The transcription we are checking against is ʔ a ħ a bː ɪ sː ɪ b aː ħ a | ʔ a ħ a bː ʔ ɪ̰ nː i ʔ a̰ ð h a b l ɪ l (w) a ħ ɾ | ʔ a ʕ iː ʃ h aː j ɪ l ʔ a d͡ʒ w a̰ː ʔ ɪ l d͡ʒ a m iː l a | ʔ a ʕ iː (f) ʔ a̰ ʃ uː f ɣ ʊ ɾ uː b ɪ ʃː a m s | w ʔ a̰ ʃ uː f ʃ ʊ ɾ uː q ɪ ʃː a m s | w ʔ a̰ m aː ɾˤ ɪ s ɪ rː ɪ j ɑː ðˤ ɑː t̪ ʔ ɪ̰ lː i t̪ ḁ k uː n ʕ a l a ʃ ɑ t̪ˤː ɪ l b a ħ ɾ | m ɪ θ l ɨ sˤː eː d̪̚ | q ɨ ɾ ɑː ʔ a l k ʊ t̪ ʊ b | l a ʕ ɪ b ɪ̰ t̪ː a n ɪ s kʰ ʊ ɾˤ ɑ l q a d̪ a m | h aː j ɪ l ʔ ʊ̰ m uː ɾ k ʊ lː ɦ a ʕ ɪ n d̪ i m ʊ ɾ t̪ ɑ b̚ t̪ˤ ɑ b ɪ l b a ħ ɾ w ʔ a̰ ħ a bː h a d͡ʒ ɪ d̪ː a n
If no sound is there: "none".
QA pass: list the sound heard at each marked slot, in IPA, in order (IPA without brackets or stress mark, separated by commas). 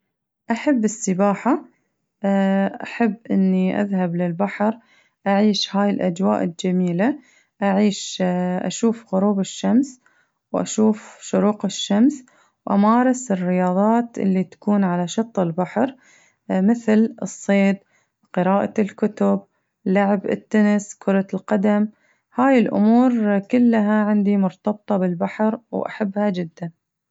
b, ʃ